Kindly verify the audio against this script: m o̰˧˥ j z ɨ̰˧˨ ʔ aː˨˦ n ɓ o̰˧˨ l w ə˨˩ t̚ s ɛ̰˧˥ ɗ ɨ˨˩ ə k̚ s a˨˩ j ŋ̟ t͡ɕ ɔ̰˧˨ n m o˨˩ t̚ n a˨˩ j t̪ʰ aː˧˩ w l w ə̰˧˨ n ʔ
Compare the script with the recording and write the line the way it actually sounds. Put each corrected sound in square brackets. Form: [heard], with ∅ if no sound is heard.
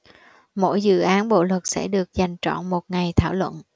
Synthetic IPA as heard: m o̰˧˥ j z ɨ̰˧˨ ʔ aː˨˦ n ɓ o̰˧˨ l w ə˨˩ t̚ s ɛ̰˧˥ ɗ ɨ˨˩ ə k̚ [z] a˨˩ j ŋ̟ t͡ɕ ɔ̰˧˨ n m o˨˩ t̚ [ŋ] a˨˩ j t̪ʰ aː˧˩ w l w ə̰˧˨ n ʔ